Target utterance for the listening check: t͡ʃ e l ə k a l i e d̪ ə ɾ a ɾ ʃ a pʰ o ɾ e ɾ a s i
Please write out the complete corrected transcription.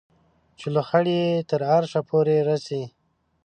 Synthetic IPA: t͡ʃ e l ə x a ɽ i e t̪ ə ɾ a ɾ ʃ a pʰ o ɾ e ɾ a s i

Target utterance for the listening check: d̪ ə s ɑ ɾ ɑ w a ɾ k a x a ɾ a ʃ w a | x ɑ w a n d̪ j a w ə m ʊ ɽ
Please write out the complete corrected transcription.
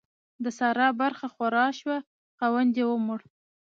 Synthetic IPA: d̪ ə s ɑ ɾ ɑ b a ɾ x a x a ɾ ɑ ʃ w a | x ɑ w a n d̪ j e w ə m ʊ ɽ

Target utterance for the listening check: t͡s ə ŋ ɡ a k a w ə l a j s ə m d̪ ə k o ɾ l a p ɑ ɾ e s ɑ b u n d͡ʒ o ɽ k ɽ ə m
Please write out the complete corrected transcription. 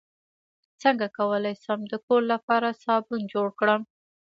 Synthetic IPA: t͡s ə ŋ ɡ a k a w ə l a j s ə m d̪ ə k o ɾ l a p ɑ ɾ a s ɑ b u n d͡ʒ o ɽ k ɽ ə m

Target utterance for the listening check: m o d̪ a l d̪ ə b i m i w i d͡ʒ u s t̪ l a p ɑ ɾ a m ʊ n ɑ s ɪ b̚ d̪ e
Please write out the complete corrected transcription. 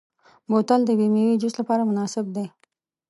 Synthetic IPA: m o t̪ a l d̪ ə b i m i w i d͡ʒ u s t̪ l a p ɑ ɾ a m ʊ n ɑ s ɪ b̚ d̪ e

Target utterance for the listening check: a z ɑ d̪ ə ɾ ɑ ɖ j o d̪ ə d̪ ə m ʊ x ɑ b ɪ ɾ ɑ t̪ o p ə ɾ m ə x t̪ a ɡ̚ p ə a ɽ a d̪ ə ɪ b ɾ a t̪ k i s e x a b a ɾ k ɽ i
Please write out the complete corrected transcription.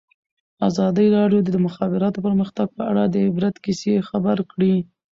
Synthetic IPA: a z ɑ d̪ ə ɾ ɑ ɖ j o d̪ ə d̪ ə m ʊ x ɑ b ɪ ɾ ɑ t̪ o p ə ɾ m ə x t̪ a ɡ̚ p ə a ɽ a d̪ ə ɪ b ɾ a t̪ k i s e x a b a ɾ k ɽ i

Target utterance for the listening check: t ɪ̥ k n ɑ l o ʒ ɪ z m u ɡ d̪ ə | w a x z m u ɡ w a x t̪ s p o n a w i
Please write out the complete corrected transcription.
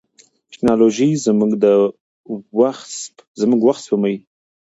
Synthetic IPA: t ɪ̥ k n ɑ l o ʒ i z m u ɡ d̪ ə | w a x z m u ɡ w a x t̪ s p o m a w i

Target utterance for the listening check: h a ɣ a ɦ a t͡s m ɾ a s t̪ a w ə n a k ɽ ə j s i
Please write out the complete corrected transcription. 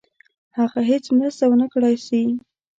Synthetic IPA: h a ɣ a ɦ e t͡s m ɾ a s t̪ a w ə n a k ɽ a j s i

